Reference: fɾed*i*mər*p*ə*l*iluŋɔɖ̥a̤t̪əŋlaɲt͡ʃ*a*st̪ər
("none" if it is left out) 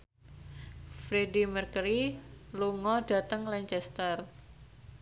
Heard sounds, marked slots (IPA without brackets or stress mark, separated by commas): i, k, ɾ, ɛ